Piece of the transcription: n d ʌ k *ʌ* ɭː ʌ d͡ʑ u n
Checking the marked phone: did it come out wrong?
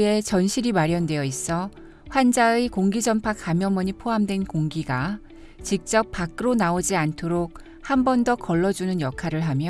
no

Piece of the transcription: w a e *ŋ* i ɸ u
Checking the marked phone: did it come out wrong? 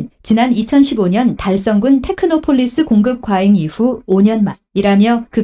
no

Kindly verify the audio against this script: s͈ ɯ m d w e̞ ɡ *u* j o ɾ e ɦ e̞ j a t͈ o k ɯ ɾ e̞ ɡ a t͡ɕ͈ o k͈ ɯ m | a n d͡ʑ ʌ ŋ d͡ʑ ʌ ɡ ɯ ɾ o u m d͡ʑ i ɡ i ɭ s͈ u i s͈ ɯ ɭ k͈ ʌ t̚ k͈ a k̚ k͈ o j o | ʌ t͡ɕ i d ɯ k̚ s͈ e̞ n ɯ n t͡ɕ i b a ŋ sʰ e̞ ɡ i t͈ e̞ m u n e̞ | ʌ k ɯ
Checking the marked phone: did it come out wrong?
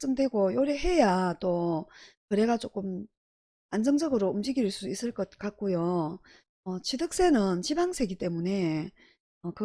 yes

